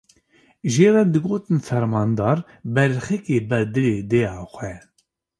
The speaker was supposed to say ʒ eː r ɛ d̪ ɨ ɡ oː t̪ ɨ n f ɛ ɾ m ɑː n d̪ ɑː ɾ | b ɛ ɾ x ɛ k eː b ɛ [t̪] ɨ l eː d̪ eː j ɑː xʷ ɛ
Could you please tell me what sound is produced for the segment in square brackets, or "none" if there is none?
d̪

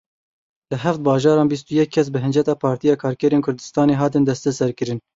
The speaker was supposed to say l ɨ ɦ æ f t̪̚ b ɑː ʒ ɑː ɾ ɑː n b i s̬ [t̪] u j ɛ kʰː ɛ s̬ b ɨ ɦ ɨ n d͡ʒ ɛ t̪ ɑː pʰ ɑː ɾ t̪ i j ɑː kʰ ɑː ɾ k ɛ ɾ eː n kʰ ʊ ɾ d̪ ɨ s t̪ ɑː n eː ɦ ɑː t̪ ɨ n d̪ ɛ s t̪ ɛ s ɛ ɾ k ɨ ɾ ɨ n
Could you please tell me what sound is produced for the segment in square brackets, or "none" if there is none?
t̪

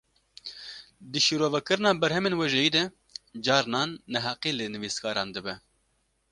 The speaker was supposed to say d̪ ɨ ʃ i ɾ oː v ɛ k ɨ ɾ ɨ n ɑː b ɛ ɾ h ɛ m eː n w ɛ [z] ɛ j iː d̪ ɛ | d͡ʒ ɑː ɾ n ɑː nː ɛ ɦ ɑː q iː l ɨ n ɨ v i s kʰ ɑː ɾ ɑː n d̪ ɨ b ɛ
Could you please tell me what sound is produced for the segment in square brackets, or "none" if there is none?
ʒ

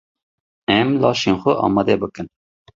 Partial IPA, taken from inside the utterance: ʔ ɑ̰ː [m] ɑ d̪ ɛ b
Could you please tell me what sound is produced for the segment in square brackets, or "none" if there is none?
m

